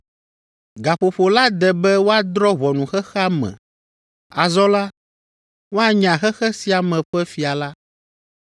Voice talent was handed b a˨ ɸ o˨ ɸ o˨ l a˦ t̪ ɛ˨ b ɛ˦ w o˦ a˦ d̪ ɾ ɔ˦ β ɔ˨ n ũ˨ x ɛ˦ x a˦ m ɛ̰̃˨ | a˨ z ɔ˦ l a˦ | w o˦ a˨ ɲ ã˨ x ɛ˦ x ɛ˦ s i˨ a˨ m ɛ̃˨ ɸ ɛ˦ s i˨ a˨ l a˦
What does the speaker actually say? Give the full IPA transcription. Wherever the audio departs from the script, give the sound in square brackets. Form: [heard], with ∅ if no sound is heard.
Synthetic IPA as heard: [ɡ] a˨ ɸ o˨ ɸ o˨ l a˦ [d̪] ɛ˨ b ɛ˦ w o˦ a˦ d̪ ɾ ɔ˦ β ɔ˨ n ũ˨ x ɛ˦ x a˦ m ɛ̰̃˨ | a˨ z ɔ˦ l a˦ | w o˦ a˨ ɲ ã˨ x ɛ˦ x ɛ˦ s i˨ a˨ m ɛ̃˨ ɸ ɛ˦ [f] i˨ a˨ l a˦